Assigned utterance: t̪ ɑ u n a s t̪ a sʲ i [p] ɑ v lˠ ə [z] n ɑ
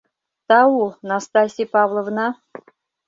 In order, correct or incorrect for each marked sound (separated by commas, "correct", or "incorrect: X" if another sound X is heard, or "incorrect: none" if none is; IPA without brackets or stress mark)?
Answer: correct, incorrect: v